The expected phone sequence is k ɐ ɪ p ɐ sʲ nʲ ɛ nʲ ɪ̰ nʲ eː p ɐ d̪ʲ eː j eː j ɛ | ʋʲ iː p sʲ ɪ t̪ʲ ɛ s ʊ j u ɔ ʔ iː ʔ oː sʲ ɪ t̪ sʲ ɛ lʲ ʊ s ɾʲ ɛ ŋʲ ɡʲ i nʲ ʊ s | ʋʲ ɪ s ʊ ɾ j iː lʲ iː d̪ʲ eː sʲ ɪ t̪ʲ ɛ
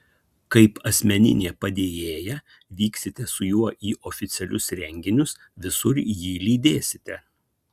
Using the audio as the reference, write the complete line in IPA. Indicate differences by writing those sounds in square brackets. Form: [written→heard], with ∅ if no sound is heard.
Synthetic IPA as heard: k ɐ ɪ p ɐ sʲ [nʲ→mʲ] ɛ nʲ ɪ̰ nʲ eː p ɐ d̪ʲ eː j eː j ɛ | ʋʲ iː [p→k] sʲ ɪ t̪ʲ ɛ s ʊ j u ɔ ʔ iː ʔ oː [sʲ→fʲ] ɪ t̪ sʲ ɛ lʲ ʊ s ɾʲ ɛ ŋʲ ɡʲ [i→ɪ] nʲ ʊ s | ʋʲ ɪ s ʊ ɾ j iː lʲ iː d̪ʲ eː sʲ ɪ t̪ʲ ɛ